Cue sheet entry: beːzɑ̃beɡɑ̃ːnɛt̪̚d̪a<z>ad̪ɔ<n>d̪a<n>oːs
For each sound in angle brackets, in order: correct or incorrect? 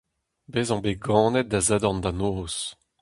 correct, correct, correct

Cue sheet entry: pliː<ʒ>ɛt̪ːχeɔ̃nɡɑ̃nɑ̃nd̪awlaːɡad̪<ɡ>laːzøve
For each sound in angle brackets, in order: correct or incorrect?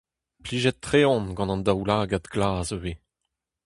correct, correct

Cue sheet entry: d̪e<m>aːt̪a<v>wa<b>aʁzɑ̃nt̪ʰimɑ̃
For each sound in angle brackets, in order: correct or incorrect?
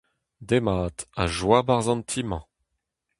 correct, incorrect: ʒ, correct

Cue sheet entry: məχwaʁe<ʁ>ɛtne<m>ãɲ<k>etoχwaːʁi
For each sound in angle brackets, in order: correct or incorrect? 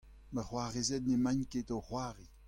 incorrect: z, correct, correct

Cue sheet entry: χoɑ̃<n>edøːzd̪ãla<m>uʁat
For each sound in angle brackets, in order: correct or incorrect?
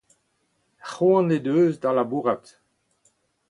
correct, incorrect: b

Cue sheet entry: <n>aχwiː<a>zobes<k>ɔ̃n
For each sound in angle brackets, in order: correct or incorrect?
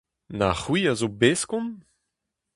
correct, correct, correct

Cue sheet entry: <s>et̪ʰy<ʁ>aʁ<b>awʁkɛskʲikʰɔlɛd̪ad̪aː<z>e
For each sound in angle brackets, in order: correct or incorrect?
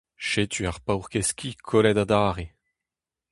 incorrect: ʃ, incorrect: none, incorrect: p, incorrect: ʁ

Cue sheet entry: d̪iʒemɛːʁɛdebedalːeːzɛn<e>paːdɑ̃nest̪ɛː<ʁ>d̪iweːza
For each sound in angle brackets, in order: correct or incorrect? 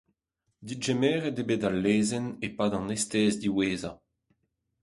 correct, incorrect: z

